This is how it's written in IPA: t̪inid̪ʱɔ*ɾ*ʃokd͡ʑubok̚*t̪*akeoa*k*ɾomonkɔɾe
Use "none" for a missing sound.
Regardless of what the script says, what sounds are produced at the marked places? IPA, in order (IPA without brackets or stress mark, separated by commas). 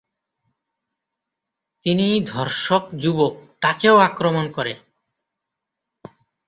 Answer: ɾ, t̪, k